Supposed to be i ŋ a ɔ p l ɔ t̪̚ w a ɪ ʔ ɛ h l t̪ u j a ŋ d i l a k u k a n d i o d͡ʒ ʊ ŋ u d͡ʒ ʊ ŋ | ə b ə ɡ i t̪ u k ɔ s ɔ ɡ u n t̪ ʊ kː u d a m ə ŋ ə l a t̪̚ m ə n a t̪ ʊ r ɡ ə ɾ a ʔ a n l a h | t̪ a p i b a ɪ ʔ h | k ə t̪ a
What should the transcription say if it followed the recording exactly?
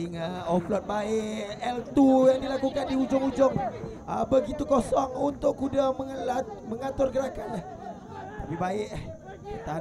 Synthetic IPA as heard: i ŋ a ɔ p l ɔ t̪̚ b a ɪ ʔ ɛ l t̪ u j a ŋ d i l a k u k a n d i u d͡ʒ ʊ ŋ u d͡ʒ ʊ ŋ | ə b ə ɡ i t̪ u k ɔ s ɔ ŋ u n t̪ ʊ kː u d a m ə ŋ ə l a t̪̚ m ə ŋ a t̪ ʊ r ɡ ə ɾ a k a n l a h | t̪ a p i b a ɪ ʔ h | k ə t̪ a

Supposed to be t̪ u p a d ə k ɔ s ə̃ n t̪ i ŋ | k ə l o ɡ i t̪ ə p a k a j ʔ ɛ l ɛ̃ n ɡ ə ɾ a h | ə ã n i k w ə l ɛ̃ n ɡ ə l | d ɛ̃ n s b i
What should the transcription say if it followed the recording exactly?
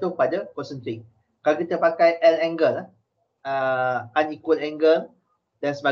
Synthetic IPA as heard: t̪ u p a d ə k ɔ s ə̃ n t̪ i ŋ | k a l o k i t̪ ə p a k a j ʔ ɛ l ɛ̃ ŋ ɡ ə l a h | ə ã n i k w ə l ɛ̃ ŋ ɡ ə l | d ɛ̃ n s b a

